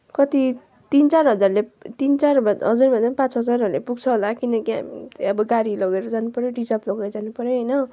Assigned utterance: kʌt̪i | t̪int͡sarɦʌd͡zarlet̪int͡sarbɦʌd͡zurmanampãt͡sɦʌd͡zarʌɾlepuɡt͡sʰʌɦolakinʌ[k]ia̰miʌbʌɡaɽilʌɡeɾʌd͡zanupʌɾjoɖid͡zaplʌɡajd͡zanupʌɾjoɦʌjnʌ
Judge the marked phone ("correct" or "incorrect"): correct